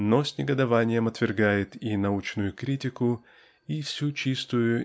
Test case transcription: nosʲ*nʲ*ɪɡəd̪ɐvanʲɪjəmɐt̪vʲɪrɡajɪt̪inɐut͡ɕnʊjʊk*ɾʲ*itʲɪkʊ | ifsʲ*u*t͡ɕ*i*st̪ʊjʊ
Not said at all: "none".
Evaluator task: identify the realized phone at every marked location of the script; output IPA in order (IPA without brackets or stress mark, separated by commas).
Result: nʲ, ɾʲ, u, i